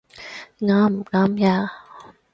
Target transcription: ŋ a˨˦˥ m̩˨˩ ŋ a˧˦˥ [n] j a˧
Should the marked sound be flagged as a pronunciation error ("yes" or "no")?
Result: yes